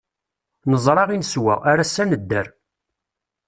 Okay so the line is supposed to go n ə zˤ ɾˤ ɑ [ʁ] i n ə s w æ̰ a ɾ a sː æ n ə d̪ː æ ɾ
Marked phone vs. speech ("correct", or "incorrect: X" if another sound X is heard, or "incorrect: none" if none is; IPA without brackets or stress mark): correct